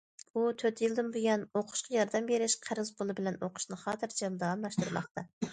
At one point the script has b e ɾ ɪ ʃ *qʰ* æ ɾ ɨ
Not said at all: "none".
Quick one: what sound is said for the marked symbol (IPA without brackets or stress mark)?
qʰ